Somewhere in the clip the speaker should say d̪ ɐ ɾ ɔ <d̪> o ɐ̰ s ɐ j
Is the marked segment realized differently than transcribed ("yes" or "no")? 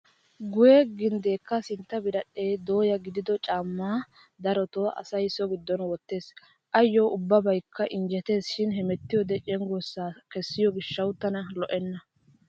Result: yes